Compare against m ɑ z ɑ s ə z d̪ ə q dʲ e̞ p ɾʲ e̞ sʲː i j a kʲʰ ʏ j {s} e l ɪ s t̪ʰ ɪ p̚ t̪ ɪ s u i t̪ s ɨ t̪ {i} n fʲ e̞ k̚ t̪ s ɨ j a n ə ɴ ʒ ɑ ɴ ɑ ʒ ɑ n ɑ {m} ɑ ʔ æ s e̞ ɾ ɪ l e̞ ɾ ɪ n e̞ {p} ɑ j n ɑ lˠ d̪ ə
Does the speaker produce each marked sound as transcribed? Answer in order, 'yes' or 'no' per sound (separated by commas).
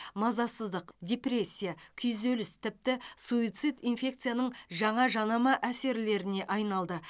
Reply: no, yes, yes, no